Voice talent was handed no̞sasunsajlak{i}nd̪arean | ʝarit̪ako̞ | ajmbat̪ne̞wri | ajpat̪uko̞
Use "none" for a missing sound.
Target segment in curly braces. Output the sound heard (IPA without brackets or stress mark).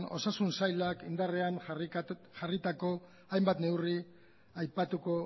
i